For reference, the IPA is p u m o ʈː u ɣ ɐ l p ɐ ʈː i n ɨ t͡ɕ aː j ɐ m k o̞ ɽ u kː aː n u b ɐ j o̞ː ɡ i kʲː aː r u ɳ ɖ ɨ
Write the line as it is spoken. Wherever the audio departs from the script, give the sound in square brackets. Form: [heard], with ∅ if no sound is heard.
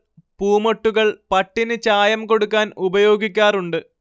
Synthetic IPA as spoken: p [uː] m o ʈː u ɣ ɐ [ɭ] p ɐ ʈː i n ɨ t͡ɕ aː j ɐ m k o̞ ɽ u kː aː n u b ɐ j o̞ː ɡ i kʲː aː r u ɳ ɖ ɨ